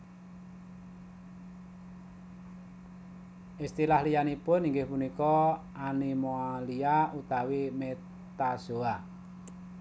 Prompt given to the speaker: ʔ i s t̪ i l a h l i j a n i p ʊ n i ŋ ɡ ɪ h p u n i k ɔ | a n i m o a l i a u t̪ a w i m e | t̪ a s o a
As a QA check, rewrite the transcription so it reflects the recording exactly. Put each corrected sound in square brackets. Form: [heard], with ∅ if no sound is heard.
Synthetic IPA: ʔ i s t̪ i l a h l i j a n i p ʊ n i ŋ ɡ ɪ h p u n i k ɔ | a n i m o a l i a u t̪ a w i m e | t̪ a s o a